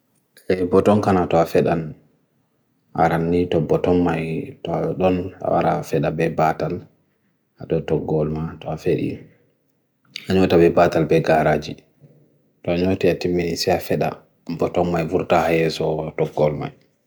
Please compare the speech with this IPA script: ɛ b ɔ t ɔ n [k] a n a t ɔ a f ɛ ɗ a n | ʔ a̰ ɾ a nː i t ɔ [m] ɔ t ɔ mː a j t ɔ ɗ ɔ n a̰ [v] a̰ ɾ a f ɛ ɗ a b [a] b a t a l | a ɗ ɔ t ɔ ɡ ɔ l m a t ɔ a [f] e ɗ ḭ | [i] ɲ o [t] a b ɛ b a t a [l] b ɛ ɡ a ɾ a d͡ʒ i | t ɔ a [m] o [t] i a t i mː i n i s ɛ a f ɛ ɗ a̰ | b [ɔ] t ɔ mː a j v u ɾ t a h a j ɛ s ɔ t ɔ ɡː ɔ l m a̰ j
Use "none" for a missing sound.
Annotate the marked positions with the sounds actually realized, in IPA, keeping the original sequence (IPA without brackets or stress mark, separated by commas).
k, b, w, ɛ, f, a, t, l, ɲ, t, ɔ